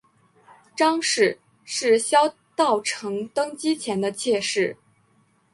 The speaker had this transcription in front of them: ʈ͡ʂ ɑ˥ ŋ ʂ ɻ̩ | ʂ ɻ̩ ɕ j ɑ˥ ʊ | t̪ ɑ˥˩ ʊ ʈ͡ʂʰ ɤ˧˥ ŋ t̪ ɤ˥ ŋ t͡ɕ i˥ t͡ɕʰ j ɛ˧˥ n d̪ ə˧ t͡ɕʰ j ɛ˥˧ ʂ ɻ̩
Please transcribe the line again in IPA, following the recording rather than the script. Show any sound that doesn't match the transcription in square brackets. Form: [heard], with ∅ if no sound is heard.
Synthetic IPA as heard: ʈ͡ʂ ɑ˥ ŋ ʂ ɻ̩ | ʂ ɻ̩ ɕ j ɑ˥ ʊ | t̪ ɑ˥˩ ʊ ʈ͡ʂʰ ɤ˧˥ ŋ t̪ ɤ˥ ŋ t͡ɕ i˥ t͡ɕʰ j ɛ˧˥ n d̪ ə˧ t͡ɕʰ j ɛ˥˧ ʂ ɻ̩